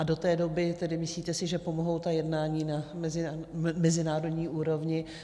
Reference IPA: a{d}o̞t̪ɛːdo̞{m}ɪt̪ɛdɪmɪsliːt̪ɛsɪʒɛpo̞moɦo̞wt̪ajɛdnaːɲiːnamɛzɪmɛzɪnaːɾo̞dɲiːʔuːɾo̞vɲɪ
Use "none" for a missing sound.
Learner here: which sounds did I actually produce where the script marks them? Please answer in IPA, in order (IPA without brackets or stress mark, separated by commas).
d, b